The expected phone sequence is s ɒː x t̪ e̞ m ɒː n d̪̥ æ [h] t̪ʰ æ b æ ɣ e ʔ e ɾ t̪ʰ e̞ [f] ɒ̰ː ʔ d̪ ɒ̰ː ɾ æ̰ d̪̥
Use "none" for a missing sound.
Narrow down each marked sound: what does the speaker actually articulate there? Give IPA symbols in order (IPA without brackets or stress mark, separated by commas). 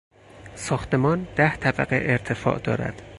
h, f